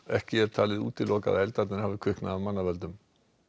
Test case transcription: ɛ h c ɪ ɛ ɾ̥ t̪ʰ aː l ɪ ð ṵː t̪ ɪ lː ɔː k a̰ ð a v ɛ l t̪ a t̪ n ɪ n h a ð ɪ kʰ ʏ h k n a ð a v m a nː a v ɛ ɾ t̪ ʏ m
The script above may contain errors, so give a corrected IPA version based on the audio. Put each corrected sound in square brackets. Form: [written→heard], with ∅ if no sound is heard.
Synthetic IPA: ɛ h c ɪ ɛ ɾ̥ t̪ʰ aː l ɪ ð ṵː t̪ ɪ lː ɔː k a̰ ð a [v→∅] ɛ l t̪ a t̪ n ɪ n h a [ð→v] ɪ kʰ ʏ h k n a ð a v m a nː a v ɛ [ɾ→l] t̪ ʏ m